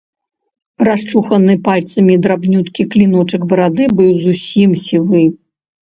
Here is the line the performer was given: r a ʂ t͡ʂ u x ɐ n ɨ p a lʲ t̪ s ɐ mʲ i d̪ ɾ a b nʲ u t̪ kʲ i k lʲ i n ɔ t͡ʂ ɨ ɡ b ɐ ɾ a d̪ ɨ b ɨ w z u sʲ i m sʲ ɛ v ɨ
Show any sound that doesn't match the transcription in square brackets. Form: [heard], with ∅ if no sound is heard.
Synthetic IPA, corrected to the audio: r a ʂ t͡ʂ u x ɐ n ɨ p a lʲ t̪ s ɐ mʲ i d̪ ɾ a b nʲ u t̪ kʲ i k lʲ i n ɔ t͡ʂ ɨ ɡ b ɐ ɾ a d̪ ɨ b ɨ w z u sʲ i m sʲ [i] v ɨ